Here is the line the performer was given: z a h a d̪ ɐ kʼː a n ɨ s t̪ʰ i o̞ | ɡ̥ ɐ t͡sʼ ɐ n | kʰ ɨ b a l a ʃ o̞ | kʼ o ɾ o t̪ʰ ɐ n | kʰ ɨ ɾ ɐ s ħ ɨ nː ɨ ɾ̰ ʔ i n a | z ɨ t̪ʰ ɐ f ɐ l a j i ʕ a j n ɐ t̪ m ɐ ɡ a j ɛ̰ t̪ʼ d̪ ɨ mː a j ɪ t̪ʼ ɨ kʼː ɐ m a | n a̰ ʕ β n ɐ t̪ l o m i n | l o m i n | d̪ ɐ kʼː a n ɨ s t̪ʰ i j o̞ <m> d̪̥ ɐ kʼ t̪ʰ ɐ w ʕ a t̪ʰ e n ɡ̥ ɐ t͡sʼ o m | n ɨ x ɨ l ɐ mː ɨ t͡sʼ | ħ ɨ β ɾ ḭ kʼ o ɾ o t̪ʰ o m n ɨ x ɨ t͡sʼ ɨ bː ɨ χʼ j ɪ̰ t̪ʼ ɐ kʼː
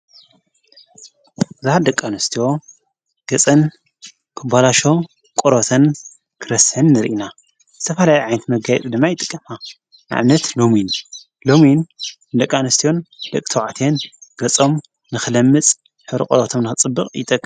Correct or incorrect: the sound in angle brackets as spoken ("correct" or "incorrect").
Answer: incorrect